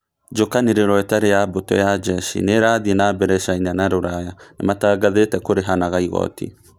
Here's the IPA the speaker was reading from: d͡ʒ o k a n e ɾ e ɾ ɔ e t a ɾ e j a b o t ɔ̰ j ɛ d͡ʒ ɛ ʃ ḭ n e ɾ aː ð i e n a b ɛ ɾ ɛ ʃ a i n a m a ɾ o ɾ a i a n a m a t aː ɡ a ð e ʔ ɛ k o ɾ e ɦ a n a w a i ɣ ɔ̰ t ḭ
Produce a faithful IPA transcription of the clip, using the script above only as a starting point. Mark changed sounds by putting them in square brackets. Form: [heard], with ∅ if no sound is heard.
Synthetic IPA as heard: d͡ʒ o k a n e ɾ e ɾ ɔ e t a ɾ e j a b o t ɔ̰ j [a] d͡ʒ ɛ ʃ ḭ n e ɾ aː ð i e n a b ɛ ɾ ɛ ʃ a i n a [n] a ɾ o ɾ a [j] a n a m a t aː ɡ a ð e [t] ɛ k o ɾ e ɦ a n a [ɣ] a i ɣ ɔ̰ t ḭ